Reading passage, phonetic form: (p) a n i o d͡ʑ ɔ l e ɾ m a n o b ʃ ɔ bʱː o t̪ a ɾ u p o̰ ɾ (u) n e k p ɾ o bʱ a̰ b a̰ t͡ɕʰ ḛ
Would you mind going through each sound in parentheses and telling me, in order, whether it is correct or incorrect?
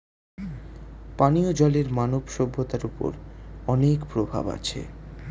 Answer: correct, incorrect: ɔ

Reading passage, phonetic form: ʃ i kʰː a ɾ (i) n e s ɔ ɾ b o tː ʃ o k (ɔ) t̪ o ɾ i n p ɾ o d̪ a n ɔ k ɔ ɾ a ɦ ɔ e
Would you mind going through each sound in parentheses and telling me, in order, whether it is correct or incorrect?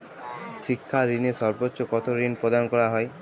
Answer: correct, correct

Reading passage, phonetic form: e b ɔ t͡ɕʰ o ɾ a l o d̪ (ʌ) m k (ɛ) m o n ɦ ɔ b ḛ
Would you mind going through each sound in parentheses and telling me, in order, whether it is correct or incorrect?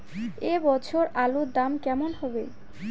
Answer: incorrect: a, correct

